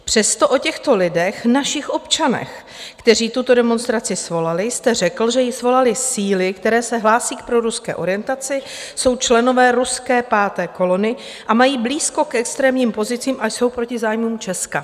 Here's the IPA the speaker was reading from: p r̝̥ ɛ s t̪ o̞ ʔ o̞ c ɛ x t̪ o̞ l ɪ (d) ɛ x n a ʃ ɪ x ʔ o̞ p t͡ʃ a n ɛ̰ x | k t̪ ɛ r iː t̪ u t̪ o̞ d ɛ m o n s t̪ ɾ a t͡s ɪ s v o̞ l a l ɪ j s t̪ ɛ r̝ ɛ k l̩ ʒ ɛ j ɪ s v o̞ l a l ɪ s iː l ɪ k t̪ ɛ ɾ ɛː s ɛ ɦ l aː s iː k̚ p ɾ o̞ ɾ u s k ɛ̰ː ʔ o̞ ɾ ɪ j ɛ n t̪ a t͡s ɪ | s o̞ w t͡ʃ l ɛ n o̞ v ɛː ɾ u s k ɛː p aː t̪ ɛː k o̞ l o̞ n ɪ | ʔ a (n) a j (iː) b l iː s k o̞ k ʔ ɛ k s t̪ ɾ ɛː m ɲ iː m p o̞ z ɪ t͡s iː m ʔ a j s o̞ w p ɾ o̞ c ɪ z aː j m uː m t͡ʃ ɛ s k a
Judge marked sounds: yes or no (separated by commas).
yes, no, yes